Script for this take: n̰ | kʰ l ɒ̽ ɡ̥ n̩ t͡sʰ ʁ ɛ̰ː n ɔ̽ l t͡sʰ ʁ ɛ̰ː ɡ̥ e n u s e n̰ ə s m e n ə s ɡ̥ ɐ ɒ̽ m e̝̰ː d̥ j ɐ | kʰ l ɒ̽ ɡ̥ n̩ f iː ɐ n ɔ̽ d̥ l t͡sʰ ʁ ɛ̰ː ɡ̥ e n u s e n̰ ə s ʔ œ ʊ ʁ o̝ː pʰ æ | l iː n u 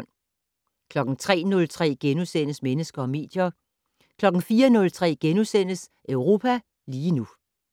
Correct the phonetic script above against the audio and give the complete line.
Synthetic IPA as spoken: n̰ | kʰ l ɒ̽ ɡ̥ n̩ t͡sʰ ʁ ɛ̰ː n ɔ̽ l t͡sʰ ʁ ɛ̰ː ɡ̥ e n u s e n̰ ə s m e n ə s ɡ̥ ɐ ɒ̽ m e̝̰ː d̥ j ɐ | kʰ l ɒ̽ ɡ̥ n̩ f iː ɐ n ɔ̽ l t͡sʰ ʁ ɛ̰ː ɡ̥ e n u s e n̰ ə s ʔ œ ʊ ʁ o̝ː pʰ æ | l iː n u